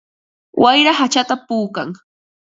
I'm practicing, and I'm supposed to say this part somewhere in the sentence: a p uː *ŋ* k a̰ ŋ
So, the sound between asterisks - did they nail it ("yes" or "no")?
no